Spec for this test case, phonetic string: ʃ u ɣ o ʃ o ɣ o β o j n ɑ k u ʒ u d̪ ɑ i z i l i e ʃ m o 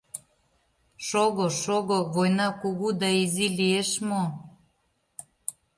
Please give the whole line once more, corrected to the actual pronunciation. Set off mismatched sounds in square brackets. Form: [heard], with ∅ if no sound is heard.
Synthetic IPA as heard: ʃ [o] ɣ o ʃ o ɣ o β o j n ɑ k u [ɣ] u d̪ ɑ i z i l i e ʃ m o